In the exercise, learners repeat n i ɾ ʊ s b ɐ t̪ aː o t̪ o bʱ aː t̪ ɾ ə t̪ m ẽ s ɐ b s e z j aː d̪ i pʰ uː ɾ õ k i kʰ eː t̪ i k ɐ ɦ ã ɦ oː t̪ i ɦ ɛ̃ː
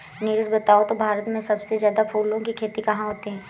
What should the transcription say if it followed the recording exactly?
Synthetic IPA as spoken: n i ɾ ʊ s b ɐ t̪ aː o t̪ o bʱ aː ɾ ə t̪ m ẽ s ɐ b s e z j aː d̪ a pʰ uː l õ k i kʰ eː t̪ i k ɐ ɦ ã ɦ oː t̪ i ɦ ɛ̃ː